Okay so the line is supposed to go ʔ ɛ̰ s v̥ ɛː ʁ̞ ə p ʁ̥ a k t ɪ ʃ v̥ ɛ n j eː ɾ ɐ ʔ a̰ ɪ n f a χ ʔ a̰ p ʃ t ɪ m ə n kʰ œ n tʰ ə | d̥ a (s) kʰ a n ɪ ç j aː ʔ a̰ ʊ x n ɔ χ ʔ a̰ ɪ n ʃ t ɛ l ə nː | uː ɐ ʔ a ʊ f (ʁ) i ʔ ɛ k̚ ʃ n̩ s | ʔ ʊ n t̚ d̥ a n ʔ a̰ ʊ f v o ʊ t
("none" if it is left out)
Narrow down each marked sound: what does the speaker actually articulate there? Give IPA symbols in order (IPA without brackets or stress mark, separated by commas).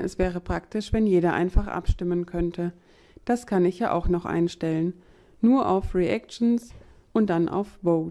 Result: s, ʁ